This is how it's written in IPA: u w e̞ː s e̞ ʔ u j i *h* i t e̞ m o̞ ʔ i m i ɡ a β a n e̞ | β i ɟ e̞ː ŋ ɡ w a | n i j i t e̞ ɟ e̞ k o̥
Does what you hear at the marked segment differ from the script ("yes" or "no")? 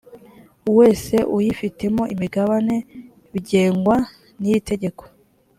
yes